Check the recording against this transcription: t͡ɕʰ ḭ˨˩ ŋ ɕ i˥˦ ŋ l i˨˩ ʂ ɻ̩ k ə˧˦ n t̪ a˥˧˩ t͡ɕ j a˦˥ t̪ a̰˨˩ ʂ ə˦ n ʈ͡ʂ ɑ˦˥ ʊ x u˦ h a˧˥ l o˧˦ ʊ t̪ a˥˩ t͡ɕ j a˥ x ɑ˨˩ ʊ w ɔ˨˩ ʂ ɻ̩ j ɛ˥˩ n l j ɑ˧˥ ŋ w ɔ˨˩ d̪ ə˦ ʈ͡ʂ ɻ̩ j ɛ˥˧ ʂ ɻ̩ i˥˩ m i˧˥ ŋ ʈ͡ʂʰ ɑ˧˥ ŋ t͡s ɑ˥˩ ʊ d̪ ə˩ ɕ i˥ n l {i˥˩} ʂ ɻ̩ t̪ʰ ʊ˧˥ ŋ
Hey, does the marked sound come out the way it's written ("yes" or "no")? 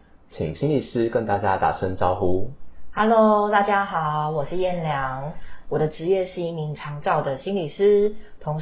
no